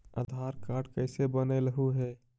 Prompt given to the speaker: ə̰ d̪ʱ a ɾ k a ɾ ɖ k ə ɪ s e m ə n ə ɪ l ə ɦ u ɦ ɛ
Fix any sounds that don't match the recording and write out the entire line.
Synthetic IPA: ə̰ d̪ʱ a ɾ k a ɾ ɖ k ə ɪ s e b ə n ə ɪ l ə ɦ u ɦ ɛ